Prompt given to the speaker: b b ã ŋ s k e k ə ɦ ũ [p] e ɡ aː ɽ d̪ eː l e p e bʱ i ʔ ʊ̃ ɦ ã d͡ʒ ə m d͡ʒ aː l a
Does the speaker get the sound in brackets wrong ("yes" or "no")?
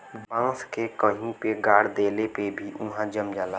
no